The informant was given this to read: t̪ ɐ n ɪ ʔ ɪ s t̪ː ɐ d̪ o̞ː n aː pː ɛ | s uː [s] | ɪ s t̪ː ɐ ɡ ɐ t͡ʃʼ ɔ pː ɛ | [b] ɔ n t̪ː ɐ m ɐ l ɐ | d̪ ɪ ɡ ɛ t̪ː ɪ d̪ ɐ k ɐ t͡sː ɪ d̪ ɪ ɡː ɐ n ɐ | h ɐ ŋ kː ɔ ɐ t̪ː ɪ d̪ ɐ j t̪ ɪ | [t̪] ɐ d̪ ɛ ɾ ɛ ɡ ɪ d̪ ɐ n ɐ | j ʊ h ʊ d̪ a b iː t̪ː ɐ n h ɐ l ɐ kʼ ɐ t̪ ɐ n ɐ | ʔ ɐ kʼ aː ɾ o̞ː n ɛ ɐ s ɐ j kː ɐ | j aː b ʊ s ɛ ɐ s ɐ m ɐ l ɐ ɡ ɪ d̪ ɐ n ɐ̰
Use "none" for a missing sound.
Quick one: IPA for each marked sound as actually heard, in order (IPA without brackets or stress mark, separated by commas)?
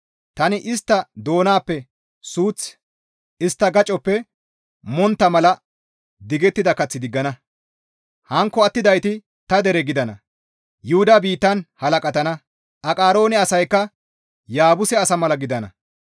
t͡s, m, t̪